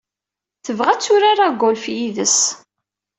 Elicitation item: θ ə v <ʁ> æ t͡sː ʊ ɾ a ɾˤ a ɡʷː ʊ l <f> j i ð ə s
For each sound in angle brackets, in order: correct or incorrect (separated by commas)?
correct, correct